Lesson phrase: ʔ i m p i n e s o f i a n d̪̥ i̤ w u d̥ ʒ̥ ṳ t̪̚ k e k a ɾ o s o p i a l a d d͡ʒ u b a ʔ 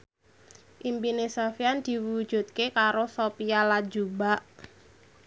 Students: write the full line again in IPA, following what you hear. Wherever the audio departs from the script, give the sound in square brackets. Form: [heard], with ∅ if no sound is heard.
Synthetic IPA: ʔ i m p i n e s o f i a n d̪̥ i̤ w u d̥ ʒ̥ ṳ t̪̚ k e k a ɾ o s o p i a l a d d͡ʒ u b a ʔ